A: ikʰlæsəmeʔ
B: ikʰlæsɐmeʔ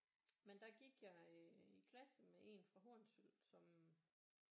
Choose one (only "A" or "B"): A